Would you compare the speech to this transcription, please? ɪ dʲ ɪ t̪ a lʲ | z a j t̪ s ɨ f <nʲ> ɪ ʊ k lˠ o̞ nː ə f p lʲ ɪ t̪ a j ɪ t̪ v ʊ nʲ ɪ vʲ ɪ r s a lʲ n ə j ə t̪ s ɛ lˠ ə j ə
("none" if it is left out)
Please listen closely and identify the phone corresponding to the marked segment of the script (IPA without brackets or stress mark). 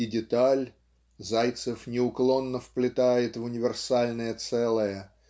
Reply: nʲ